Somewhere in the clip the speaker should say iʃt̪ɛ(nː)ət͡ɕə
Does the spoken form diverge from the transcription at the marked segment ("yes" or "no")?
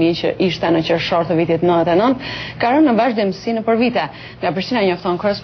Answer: yes